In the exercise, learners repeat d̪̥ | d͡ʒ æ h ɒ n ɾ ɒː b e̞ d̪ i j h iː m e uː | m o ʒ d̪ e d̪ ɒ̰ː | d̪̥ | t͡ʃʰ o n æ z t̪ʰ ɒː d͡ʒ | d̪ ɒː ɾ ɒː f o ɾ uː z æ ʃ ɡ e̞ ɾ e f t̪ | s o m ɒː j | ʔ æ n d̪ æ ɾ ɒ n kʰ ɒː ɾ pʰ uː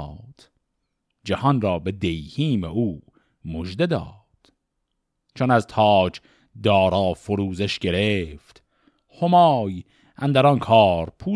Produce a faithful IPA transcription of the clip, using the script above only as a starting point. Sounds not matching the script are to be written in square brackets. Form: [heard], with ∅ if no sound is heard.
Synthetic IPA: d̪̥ | d͡ʒ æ h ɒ n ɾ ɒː b e̞ d̪ [e] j h iː m e uː | m o ʒ d̪ e d̪ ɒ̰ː | d̪̥ | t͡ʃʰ o n æ z t̪ʰ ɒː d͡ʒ | d̪ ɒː ɾ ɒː f o ɾ uː z [e] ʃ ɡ e̞ ɾ e f t̪ | [h] o m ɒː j | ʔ æ n d̪ æ ɾ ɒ n kʰ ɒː ɾ pʰ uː